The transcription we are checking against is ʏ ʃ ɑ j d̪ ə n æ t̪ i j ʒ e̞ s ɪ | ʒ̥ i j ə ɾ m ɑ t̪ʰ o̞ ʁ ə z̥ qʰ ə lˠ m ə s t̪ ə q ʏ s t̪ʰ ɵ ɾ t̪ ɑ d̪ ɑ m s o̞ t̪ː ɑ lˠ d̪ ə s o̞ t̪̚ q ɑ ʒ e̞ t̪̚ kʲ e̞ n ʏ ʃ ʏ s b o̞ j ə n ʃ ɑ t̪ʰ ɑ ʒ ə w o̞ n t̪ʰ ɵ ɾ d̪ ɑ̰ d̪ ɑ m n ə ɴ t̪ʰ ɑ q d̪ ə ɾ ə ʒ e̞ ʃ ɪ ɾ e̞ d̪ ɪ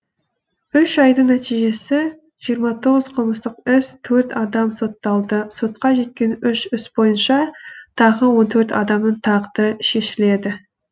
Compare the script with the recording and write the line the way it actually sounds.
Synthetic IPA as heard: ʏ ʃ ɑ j d̪ ə n æ t̪ i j ʒ e̞ s ɪ | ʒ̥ i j ə ɾ m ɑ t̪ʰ o̞ ʁ ə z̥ qʰ ə lˠ m ə s t̪ ə q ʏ s t̪ʰ ɵ ɾ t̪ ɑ d̪ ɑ m s o̞ t̪ː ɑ lˠ d̪ ə s o̞ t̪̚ q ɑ ʒ e̞ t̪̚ kʲ e̞ n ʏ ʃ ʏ s b o̞ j ə n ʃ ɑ t̪ʰ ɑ ʁ ə w o̞ n t̪ʰ ɵ ɾ t̪ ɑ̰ d̪ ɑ m n ə ɴ t̪ʰ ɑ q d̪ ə ɾ ə ʃ e̞ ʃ ɪ l e̞ d̪ ɪ